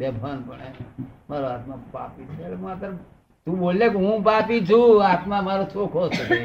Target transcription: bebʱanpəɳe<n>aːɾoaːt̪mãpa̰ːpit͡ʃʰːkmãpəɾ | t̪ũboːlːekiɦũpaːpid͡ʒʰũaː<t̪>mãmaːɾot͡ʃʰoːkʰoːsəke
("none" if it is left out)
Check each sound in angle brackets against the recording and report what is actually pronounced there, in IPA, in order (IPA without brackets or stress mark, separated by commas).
m, t̪